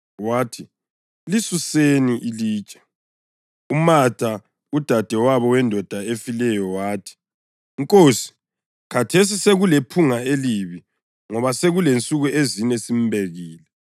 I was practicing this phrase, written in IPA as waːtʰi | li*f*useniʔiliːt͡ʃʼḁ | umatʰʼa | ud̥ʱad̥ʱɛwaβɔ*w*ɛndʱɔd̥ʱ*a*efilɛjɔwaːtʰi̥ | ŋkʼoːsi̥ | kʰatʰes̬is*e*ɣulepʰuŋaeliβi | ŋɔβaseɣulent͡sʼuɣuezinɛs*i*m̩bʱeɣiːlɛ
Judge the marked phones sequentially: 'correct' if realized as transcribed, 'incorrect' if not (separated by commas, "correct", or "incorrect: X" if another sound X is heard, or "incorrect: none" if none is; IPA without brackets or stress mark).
incorrect: s, correct, correct, correct, correct